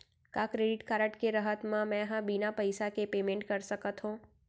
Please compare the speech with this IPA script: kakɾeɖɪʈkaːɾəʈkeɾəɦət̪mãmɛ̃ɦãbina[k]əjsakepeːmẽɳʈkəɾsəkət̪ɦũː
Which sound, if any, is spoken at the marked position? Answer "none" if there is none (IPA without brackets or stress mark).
p